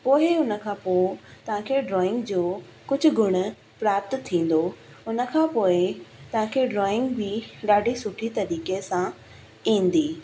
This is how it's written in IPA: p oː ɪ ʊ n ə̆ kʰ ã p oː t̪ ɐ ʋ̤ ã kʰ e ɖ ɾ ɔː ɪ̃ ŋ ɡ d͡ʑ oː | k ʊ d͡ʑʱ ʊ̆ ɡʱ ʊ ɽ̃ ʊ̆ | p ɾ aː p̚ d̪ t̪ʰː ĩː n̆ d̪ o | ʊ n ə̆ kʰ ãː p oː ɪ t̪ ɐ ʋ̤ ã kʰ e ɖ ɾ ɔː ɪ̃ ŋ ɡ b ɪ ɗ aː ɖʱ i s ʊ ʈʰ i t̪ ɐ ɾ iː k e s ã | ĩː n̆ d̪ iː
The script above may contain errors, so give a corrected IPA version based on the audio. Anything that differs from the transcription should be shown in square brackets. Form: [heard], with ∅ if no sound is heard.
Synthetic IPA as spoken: p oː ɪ ʊ n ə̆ kʰ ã p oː t̪ ɐ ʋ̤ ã kʰ e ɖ ɾ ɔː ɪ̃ ŋ ɡ d͡ʑ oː | k ʊ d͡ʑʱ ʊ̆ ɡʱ ʊ ɽ̃ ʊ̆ | p ɾ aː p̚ [t̪] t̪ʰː ĩː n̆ d̪ o | ʊ n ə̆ kʰ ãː p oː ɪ t̪ ɐ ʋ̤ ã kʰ e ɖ ɾ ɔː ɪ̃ ŋ ɡ b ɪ ɗ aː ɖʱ i s ʊ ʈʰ i t̪ ɐ ɾ iː k e s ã | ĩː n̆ d̪ iː